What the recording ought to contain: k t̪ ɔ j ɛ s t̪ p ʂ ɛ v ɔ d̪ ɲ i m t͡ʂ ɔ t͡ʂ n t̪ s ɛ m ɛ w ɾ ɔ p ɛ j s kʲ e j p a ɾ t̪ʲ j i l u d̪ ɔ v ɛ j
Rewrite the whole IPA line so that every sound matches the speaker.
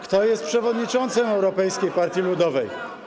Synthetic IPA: k t̪ ɔ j ɛ s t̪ p ʂ ɛ v ɔ d̪ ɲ i t͡ʂ ɔ n t̪ s ɛ m ɛ w ɾ ɔ p ɛ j s kʲ e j p a ɾ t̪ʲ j i l u d̪ ɔ v ɛ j